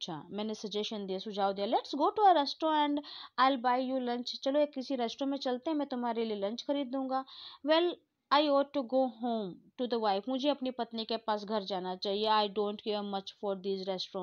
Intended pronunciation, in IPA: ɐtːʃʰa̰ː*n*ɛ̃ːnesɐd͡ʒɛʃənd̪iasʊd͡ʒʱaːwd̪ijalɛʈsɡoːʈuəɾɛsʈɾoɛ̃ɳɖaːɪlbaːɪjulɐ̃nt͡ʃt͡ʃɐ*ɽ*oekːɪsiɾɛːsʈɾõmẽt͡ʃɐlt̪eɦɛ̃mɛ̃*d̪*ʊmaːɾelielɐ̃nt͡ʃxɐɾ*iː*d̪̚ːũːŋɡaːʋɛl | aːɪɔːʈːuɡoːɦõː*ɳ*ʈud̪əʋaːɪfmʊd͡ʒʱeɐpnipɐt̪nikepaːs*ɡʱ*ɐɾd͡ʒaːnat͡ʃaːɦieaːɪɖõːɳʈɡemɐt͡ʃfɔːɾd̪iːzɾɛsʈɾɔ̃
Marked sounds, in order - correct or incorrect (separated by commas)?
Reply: incorrect, incorrect, incorrect, correct, incorrect, correct